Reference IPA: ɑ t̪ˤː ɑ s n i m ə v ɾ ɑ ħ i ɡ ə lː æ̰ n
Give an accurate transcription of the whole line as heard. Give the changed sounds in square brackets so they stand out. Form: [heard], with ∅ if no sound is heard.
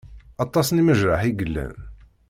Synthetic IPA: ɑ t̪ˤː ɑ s n i m ə [ʒ] ɾ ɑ ħ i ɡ ə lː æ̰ n